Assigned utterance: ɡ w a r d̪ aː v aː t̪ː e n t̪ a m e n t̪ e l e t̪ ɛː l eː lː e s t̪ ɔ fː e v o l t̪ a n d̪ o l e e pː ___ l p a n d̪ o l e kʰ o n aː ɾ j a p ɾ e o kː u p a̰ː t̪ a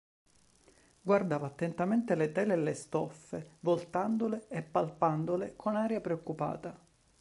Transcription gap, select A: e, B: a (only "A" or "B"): B